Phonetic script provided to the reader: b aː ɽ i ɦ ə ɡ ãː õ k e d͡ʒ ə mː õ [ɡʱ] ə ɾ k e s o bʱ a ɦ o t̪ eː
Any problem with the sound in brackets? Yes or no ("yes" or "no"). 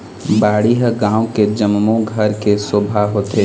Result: no